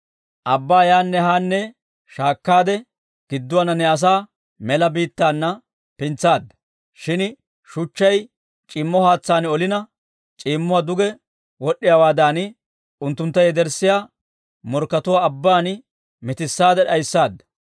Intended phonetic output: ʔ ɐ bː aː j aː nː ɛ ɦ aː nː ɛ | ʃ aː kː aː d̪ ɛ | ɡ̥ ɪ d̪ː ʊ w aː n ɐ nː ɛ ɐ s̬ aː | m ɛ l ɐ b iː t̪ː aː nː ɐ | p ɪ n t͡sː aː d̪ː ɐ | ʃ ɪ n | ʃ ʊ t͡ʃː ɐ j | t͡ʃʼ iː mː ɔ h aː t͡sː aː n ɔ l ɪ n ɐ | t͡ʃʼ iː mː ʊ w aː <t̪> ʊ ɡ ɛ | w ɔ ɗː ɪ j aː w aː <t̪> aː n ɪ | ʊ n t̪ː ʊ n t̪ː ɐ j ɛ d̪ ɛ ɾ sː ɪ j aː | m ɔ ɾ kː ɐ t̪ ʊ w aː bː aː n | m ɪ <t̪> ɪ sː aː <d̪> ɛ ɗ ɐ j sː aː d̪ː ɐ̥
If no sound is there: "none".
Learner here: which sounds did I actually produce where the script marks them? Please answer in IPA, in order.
d̪, d̪, t̪, d̪

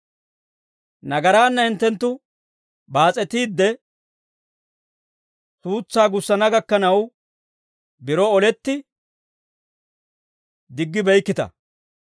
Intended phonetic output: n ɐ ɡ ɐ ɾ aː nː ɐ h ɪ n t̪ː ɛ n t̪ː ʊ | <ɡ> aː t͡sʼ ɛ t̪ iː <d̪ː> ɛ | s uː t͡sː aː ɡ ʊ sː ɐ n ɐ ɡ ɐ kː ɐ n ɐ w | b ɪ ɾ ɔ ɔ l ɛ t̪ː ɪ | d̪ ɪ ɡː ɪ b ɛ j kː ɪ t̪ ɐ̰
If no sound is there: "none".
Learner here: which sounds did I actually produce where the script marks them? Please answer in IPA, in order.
b, d̪ː

